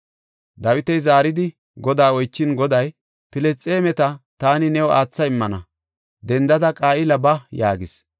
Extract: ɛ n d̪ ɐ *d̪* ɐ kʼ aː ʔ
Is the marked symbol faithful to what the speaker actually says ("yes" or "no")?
yes